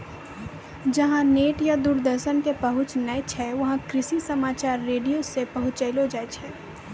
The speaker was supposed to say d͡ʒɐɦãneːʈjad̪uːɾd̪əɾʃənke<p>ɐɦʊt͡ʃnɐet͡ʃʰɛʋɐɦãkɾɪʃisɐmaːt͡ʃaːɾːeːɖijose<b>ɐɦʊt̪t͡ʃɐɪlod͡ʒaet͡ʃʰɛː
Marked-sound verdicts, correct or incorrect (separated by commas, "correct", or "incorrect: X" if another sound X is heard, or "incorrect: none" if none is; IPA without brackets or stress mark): correct, incorrect: p